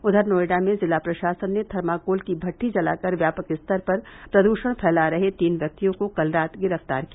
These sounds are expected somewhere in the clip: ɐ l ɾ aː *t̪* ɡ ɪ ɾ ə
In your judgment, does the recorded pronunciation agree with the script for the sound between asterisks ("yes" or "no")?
yes